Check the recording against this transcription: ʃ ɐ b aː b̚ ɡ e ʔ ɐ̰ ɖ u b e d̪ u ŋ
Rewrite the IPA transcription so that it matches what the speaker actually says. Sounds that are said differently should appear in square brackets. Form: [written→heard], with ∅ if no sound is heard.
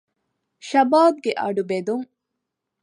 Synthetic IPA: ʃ ɐ b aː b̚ ɡ e ʔ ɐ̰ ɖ u b e d̪ u ŋ